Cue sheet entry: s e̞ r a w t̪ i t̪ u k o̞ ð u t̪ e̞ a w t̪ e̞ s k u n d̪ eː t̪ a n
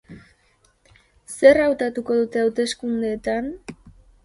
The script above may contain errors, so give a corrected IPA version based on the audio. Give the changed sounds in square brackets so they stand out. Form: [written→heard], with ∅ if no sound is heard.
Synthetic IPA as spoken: s e̞ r a w t̪ [i→a] t̪ u k o̞ ð u t̪ e̞ a w t̪ e̞ s k u n d̪ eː t̪ a n